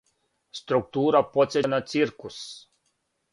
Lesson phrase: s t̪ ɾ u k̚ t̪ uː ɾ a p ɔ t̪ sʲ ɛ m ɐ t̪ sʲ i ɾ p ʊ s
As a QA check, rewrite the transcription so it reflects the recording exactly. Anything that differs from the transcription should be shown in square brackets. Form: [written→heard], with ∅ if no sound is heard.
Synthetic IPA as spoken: s t̪ ɾ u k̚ t̪ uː ɾ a p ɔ t̪ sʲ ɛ [m→n] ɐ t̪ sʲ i ɾ [p→k] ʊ s